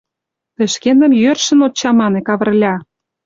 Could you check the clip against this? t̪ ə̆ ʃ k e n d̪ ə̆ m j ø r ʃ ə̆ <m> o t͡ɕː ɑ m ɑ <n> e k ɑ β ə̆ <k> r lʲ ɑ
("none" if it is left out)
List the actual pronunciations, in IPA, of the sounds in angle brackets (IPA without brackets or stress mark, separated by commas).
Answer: n, n, none